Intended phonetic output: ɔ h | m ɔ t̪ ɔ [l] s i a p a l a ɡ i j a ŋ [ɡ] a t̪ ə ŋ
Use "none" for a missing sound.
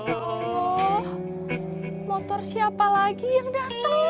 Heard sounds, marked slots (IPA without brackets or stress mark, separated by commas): r, d